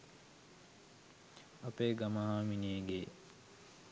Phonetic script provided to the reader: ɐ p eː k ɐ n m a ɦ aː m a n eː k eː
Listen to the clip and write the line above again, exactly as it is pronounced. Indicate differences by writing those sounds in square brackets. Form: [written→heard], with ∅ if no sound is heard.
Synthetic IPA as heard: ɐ p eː [k→ɡ] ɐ [n→∅] m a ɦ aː m [a→i] n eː [k→ɡ] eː